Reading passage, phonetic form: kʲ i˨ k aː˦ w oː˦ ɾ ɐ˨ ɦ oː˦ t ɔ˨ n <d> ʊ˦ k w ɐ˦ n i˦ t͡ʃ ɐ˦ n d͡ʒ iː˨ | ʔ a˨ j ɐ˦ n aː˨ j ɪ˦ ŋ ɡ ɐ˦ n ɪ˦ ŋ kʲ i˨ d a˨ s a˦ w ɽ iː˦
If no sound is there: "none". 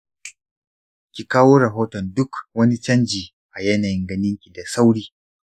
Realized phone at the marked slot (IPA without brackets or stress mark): d